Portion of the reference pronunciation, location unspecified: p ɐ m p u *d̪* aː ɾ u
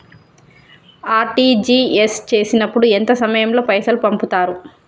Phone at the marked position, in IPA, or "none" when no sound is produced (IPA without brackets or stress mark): t̪